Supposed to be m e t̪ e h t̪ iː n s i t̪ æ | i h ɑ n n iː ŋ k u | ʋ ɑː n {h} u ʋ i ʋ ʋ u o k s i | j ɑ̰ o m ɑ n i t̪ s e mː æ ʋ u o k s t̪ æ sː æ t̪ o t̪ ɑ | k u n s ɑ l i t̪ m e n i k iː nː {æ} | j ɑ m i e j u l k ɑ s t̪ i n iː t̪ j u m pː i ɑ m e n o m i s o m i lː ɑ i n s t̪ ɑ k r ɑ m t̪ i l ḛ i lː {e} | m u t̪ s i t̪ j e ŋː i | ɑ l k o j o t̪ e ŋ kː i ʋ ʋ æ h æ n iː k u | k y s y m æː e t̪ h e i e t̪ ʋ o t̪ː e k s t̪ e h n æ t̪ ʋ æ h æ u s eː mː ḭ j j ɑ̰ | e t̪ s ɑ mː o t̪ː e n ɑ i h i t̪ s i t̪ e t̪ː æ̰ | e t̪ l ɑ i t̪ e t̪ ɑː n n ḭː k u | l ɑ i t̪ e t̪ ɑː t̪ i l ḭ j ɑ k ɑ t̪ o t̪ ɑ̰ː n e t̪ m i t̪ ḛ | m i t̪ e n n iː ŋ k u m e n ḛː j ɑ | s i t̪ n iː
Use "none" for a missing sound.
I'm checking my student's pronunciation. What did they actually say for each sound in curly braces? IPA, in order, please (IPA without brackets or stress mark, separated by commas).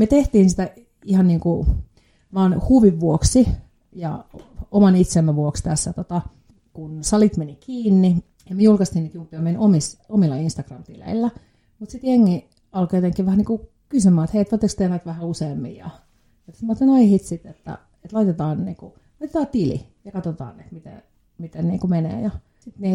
h, i, æ